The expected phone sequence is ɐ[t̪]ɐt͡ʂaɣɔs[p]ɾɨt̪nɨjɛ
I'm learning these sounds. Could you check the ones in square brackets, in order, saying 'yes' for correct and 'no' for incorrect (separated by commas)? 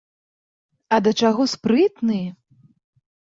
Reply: no, yes